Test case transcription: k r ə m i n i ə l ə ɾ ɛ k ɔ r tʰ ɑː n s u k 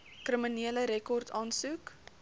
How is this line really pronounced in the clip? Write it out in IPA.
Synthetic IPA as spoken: k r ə m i n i ə l ə ɾ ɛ k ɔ r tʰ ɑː n s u k